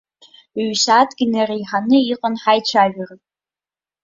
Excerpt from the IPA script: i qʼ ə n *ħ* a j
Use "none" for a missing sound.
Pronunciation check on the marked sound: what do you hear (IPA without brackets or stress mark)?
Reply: ħ